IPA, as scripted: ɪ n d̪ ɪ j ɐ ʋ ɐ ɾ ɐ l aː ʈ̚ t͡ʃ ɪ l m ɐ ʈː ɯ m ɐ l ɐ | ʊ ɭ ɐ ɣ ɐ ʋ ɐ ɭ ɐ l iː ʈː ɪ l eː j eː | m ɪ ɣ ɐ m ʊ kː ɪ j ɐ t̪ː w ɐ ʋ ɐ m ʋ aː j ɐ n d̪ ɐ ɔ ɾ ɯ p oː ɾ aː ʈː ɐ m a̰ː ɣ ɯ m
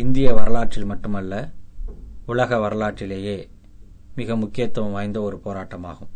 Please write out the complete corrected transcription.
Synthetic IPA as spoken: ɪ n d̪ ɪ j ɐ ʋ ɐ ɾ ɐ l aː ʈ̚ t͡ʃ ɪ l m ɐ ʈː ɯ m ɐ lː ɐ | ʊ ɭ ɐ ɣ ɐ ʋ ɐ ɾ ɐ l aː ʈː ɪ l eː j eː | m ɪ ɣ ɐ m ʊ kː ɪ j ɐ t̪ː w ɐ ʋ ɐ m ʋ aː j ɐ n d̪ ɐ ɔ ɾ ɯ p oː ɾ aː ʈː ɐ m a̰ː ɣ ɯ m